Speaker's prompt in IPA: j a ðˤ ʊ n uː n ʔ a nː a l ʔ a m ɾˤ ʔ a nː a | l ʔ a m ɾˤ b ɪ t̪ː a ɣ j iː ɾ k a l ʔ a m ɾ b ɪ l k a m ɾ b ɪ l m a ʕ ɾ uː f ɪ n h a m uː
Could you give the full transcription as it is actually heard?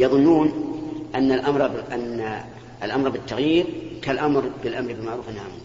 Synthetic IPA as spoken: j ɑ ðˤ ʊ nː uː n ʔ a nː a l ʔ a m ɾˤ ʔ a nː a | l ʔ a m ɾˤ b ɪ t̪ː a ɣ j iː ɾ k a l ʔ a m ɾ b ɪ l ʔ a m ɾ b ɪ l m a ʕ ɾ uː f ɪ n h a m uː